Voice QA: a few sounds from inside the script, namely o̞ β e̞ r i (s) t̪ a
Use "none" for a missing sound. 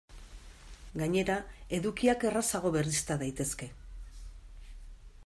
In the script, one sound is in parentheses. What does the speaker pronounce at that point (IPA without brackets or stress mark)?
s